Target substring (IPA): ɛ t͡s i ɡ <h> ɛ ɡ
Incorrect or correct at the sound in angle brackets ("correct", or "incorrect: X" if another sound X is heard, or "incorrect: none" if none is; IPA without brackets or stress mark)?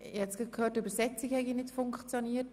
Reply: correct